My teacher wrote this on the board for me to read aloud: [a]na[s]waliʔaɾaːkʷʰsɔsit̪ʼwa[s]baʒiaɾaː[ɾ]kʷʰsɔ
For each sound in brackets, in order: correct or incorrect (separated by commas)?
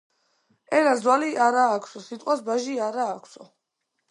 incorrect, incorrect, correct, incorrect